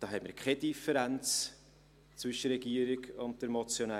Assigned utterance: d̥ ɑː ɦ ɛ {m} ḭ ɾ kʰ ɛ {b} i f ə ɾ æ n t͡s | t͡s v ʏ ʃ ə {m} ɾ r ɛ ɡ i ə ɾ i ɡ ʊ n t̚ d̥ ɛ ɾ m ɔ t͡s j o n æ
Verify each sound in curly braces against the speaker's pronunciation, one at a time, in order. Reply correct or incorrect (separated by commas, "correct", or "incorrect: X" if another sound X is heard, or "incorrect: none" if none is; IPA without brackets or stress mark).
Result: correct, incorrect: d, incorrect: none